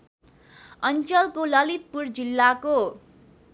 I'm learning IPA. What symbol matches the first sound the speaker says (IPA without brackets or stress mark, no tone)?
ʌ